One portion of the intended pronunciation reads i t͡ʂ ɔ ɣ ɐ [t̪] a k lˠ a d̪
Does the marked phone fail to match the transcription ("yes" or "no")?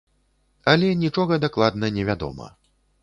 yes